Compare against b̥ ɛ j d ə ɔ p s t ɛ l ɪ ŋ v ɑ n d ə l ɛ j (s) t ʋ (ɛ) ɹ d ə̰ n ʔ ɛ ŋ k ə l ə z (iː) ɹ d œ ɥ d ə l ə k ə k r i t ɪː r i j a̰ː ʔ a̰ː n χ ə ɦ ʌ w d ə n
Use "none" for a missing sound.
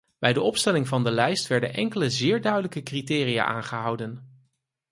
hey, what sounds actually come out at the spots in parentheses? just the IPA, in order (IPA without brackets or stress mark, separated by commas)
s, ɛ, ɪː